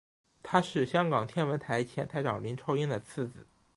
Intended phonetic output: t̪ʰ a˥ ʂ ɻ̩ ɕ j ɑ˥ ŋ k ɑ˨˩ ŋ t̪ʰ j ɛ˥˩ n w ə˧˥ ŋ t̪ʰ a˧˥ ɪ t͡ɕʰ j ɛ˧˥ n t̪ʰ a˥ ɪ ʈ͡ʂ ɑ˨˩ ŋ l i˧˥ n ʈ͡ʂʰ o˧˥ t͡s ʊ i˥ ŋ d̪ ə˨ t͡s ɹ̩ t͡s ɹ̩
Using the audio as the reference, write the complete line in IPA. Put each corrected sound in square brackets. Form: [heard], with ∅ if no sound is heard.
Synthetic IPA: t̪ʰ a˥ ʂ ɻ̩ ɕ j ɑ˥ ŋ k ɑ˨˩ ŋ t̪ʰ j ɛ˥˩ n w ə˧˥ [n] t̪ʰ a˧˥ ɪ t͡ɕʰ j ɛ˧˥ n t̪ʰ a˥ ɪ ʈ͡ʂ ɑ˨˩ ŋ l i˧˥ n ʈ͡ʂʰ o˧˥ [∅] ʊ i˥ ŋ d̪ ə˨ [t͡sʰ] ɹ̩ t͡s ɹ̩